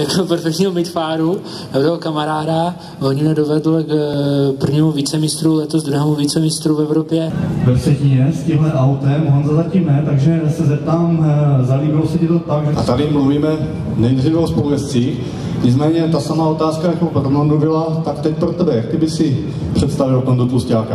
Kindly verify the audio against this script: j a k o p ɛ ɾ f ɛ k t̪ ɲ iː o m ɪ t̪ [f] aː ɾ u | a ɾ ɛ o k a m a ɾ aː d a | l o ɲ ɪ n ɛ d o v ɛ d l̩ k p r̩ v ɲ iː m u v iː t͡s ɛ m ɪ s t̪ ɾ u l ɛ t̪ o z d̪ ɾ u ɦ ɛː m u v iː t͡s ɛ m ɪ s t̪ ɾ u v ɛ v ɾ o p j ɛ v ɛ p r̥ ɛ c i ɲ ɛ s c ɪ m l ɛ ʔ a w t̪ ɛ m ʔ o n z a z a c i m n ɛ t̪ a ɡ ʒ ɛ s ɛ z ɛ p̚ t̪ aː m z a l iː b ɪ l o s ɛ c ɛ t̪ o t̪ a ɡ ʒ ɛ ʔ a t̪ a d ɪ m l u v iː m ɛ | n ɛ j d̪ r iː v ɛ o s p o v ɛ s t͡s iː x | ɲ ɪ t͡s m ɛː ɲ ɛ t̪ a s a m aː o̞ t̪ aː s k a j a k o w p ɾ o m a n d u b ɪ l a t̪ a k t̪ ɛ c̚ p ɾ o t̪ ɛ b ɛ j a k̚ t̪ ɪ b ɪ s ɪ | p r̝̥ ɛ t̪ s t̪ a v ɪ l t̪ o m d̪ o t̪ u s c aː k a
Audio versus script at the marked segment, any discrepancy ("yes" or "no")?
no